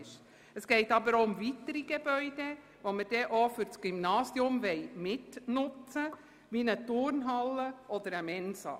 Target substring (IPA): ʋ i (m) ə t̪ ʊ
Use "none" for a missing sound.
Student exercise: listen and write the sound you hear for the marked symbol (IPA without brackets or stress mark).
n